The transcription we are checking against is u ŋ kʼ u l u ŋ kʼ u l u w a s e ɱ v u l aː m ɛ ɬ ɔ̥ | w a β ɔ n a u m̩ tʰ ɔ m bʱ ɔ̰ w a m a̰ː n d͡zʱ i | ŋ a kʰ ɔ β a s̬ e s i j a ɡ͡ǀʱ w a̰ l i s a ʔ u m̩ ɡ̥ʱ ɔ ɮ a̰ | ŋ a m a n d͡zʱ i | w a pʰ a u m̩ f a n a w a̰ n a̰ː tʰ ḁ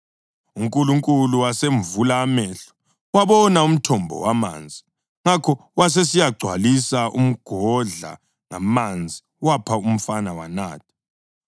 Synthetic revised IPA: u ŋ kʼ u l u ŋ kʼ u l u w a s e ɱ v u l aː m ɛ ɬ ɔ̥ | w a β ɔ n a u m̩ tʰ ɔ m bʱ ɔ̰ w a m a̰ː n d͡zʱ i | ŋ a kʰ ɔ w a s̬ e s i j a ɡ͡ǀʱ w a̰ l i s a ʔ u m̩ ɡ̥ʱ ɔ ɮ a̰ | ŋ a m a n d͡zʱ i | w a pʰ a u m̩ f a n a w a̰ n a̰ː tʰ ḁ